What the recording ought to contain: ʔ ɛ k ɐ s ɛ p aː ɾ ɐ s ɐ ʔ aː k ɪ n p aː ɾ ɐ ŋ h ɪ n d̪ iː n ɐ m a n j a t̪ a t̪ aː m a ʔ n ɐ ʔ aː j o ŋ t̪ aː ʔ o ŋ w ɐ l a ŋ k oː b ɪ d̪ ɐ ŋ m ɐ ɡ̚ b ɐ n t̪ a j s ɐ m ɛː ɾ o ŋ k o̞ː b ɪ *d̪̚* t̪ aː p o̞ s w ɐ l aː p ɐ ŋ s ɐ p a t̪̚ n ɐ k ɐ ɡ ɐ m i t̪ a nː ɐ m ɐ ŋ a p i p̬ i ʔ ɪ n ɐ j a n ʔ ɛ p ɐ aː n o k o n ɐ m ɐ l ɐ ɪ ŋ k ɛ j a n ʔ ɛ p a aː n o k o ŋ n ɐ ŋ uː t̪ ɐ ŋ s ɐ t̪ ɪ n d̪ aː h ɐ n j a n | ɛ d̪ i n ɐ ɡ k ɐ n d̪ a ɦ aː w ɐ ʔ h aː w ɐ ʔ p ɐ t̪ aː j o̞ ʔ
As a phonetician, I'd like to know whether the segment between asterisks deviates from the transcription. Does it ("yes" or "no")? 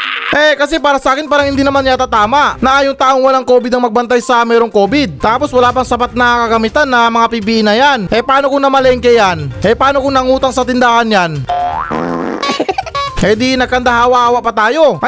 no